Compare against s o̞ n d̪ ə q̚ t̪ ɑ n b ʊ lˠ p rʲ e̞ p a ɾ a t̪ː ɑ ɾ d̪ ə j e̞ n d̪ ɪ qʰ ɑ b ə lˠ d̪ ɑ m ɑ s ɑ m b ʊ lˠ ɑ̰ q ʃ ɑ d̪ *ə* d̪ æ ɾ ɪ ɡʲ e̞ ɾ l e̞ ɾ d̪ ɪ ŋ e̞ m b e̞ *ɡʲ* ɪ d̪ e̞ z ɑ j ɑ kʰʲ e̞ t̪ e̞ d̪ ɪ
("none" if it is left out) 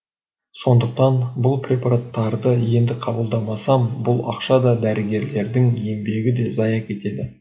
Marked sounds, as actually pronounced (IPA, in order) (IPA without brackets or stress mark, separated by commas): ɑ, ɡʲ